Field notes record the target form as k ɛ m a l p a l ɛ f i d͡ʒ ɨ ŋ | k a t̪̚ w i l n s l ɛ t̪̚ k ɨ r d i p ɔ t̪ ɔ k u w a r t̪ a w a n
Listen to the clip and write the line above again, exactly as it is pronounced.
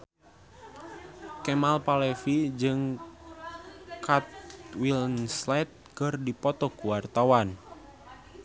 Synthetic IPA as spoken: k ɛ m a l p a l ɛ f i d͡ʒ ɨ ŋ | k a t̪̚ w i l n s l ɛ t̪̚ k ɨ r d i p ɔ t̪ ɔ k u w a r t̪ a w a n